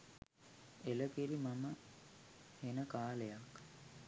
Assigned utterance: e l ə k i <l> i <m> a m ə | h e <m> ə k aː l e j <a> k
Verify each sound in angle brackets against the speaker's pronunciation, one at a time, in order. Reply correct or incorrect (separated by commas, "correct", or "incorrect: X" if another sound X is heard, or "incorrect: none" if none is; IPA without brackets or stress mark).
incorrect: ɾ, correct, incorrect: n, correct